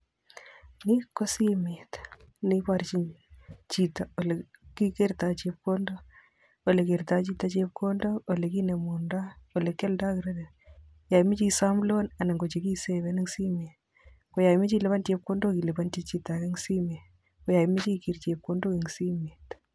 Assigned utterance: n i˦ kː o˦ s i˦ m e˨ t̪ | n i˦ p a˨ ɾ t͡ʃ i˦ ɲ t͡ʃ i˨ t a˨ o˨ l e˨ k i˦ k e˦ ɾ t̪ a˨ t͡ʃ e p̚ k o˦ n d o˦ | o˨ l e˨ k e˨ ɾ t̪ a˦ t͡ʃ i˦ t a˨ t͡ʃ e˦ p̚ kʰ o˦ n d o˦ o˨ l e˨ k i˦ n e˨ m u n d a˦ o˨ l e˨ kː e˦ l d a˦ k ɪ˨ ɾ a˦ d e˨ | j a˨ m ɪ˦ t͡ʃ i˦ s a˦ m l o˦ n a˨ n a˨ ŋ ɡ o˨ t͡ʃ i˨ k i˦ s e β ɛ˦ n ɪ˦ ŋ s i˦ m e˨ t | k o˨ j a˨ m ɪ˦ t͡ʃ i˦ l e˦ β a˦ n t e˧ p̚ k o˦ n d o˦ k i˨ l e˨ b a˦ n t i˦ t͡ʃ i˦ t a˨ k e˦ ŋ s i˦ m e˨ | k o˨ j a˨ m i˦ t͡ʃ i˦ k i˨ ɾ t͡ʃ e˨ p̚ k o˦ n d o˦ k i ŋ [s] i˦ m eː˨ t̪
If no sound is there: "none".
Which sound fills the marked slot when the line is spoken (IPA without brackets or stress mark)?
s